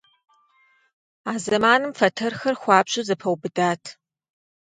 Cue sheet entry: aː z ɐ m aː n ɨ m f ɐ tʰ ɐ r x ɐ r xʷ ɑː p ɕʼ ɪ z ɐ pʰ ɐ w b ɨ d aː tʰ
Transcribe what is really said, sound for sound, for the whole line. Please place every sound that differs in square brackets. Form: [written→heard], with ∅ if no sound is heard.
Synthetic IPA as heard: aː z ɐ m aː n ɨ m f ɐ tʰ ɐ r x ɐ r xʷ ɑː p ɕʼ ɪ z ɐ pʰ ɐ w b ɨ d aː tʰ